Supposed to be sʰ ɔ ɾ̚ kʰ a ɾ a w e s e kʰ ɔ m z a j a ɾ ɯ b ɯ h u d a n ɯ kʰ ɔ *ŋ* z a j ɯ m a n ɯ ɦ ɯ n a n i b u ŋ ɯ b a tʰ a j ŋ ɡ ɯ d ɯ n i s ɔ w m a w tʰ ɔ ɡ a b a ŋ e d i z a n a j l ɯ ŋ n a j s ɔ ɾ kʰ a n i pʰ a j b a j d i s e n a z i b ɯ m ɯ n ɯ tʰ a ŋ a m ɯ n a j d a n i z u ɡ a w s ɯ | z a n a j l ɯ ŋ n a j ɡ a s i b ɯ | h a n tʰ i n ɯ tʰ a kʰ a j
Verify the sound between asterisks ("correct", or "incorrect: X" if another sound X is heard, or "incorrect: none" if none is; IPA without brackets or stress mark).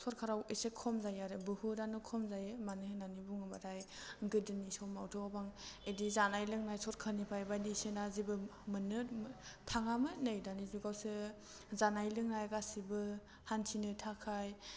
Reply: incorrect: m